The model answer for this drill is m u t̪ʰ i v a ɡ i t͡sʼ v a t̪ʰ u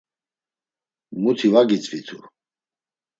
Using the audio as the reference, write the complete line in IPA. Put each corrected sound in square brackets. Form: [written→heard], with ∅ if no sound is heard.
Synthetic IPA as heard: m u t̪ʰ i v a ɡ i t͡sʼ v [a→i] t̪ʰ u